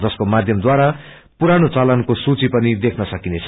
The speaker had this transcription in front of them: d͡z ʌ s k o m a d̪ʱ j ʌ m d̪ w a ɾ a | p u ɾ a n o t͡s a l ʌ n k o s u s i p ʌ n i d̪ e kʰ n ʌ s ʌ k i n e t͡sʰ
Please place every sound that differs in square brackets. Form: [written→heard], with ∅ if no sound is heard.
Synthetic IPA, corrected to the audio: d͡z ʌ s k o m a d̪ʱ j ʌ m d̪ w a ɾ a | p u ɾ a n o t͡s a l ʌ n k o s u [s→t͡s] i p ʌ n i d̪ e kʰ n ʌ s ʌ k i n e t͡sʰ